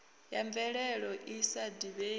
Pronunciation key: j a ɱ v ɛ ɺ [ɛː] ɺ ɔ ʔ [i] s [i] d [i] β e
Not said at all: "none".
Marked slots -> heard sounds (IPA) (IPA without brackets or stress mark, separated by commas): ɛ, i, a, i